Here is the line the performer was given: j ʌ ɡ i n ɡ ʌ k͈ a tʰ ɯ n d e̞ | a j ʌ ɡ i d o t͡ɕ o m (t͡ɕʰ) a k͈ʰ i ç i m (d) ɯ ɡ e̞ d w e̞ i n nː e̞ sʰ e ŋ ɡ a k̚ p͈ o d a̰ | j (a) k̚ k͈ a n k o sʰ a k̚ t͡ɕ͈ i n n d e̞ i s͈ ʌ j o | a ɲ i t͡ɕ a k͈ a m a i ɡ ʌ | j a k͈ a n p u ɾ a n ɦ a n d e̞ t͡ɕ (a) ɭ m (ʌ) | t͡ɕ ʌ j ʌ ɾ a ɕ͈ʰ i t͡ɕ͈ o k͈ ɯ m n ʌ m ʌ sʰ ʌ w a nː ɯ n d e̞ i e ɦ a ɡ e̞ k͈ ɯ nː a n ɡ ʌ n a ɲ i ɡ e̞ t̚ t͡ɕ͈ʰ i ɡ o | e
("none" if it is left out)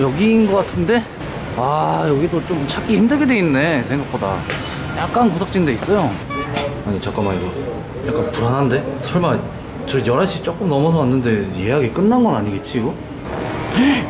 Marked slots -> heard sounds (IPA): t͡ɕʰ, d, a, ʌ, a

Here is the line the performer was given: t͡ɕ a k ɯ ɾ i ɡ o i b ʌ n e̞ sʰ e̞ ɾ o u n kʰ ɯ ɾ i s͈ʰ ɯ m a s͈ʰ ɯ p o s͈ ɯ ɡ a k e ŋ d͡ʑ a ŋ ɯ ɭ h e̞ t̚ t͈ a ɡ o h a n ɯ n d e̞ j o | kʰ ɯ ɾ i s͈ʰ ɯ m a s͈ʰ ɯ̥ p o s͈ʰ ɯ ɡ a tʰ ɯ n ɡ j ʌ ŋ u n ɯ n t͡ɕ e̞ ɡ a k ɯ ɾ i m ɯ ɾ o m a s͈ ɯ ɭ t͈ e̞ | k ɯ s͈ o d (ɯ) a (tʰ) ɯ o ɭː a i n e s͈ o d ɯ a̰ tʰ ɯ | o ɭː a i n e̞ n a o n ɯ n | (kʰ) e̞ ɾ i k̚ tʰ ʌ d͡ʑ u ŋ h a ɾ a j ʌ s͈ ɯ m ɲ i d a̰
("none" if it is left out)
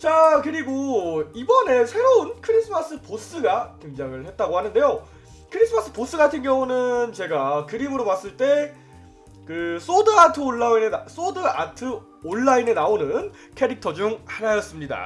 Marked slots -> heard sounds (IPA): ɯ, tʰ, kʰ

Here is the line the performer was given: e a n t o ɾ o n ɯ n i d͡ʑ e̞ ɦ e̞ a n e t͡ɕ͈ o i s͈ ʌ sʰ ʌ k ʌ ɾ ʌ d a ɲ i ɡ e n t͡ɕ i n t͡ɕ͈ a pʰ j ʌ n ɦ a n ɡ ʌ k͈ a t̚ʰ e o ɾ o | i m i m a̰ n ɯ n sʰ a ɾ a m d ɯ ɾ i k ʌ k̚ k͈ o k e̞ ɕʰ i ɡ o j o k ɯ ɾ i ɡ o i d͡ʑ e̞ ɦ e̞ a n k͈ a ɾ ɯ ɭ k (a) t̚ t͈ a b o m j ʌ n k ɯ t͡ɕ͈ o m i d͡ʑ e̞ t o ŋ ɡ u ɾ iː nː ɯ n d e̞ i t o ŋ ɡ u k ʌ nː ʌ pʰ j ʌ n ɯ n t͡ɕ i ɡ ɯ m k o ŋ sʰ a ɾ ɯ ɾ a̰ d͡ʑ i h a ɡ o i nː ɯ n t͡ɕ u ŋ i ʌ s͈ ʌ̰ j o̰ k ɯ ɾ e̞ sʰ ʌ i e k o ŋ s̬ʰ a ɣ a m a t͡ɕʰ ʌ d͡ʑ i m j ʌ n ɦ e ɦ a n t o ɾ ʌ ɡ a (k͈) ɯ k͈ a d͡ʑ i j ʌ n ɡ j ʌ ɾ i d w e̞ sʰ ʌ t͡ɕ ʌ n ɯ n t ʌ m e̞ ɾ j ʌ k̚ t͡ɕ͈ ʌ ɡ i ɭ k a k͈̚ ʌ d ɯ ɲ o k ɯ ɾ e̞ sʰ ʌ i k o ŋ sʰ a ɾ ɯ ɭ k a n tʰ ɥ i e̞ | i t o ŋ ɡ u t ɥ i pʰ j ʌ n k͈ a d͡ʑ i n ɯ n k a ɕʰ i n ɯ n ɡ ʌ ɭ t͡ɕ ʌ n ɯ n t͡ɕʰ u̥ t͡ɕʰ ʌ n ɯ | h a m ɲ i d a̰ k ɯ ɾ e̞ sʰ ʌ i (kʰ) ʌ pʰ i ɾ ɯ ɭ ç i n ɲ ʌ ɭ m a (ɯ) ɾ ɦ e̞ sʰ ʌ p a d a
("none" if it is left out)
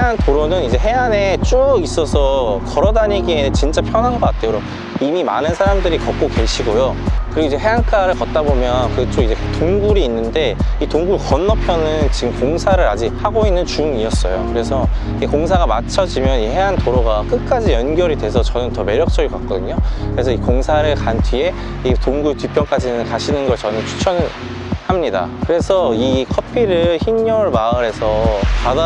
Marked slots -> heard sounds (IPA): ʌ, k͈, kʰ, ɯ

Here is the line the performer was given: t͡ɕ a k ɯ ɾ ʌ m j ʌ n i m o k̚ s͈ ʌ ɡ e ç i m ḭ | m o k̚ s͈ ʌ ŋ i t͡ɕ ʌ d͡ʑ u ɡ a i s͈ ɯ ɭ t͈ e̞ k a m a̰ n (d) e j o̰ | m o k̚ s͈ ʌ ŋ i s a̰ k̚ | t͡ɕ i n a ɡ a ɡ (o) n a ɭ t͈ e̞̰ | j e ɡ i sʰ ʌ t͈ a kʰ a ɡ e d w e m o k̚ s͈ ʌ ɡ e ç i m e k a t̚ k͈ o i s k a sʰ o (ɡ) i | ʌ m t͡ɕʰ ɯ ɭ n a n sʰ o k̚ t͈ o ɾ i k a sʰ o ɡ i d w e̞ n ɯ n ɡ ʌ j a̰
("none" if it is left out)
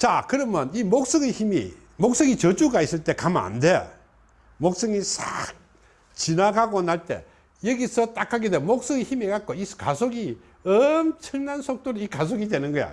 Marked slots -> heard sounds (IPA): d, o, ɡ

